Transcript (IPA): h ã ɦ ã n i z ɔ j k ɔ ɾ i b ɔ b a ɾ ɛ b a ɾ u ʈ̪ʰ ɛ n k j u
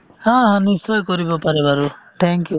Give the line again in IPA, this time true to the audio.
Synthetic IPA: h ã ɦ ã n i s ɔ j k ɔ ɾ i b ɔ p a ɾ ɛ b a ɾ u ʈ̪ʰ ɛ ŋ k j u